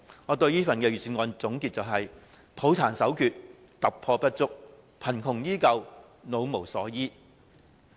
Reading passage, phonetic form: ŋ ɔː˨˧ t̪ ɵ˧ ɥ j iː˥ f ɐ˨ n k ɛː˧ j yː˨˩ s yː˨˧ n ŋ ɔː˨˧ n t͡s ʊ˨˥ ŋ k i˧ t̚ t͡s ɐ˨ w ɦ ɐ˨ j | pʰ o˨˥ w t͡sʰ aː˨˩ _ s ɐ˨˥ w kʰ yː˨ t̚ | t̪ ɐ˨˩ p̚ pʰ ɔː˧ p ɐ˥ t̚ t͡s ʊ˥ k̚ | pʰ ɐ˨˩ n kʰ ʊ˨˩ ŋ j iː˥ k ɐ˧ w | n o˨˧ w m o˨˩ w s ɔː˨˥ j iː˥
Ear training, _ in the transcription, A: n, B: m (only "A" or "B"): A